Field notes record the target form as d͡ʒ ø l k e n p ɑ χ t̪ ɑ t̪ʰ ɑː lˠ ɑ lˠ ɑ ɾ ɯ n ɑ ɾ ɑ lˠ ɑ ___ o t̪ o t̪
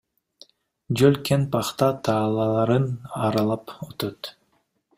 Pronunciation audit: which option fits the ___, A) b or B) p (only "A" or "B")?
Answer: B